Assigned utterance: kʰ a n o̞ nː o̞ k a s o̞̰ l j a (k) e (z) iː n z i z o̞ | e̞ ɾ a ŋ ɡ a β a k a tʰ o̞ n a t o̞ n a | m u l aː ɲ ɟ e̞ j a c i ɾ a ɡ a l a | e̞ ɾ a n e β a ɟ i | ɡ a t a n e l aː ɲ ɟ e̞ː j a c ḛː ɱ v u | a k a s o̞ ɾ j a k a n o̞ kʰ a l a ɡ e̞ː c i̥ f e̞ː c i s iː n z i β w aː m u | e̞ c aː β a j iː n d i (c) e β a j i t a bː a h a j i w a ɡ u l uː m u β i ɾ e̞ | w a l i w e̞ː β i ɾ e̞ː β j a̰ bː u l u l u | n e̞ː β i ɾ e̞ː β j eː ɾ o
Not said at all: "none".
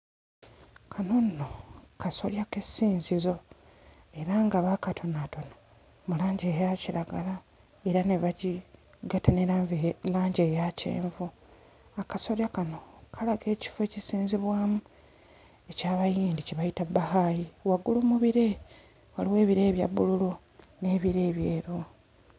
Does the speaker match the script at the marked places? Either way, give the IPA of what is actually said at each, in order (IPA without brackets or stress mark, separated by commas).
k, s, c